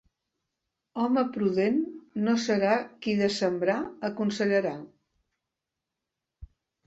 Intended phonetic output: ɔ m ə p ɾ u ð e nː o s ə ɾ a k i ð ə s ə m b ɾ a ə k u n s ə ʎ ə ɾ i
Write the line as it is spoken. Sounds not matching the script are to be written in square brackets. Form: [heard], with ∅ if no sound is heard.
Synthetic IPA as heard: ɔ m ə p ɾ u ð e nː o s ə ɾ a k i ð ə s ə m b ɾ a ə k u n s ə ʎ ə ɾ [a]